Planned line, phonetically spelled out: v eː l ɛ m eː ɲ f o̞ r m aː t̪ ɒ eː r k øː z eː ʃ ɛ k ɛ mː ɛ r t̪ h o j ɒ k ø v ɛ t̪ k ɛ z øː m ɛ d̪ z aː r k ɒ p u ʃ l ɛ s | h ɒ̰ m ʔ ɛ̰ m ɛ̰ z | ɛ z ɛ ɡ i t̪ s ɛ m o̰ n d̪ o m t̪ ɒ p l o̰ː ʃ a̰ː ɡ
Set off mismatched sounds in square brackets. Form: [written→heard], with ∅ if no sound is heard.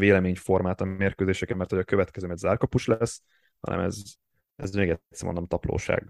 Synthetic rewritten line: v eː l ɛ m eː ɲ f o̞ r m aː t̪ ɒ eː r k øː z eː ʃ ɛ k ɛ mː ɛ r t̪ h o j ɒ k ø v ɛ t̪ k ɛ z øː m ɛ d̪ z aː r k ɒ p u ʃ l ɛ s | h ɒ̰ [m→n] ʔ ɛ̰ m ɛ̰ z | ɛ z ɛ ɡ [i→ɛ] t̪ s ɛ m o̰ n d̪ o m t̪ ɒ p l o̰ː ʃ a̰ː ɡ